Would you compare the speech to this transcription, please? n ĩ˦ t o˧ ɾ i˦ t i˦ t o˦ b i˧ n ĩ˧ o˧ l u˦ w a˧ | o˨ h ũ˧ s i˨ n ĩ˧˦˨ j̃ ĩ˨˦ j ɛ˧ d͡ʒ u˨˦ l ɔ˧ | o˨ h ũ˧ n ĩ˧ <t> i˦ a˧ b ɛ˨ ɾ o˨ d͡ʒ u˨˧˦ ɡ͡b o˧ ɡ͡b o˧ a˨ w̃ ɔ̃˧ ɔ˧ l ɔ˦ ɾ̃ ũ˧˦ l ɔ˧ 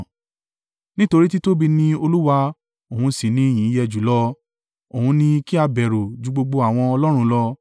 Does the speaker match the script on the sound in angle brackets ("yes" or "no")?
no